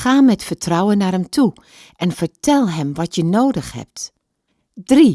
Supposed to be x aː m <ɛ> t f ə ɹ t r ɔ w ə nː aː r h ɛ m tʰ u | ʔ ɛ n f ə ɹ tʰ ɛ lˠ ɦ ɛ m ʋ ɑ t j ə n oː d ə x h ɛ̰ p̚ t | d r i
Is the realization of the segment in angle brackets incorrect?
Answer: no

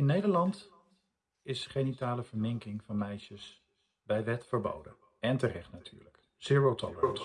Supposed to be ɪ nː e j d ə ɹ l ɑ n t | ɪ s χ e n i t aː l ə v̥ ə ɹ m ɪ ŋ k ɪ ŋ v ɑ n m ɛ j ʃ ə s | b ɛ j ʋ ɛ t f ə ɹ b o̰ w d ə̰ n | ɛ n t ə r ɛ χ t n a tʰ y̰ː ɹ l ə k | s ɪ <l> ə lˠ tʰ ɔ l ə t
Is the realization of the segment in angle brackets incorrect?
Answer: yes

